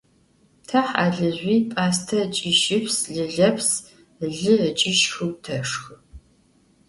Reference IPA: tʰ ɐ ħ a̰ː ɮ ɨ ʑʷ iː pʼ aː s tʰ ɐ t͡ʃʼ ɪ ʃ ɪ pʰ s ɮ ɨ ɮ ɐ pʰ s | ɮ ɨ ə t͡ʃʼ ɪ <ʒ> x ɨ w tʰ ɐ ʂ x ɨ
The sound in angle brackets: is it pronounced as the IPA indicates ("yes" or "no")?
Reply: no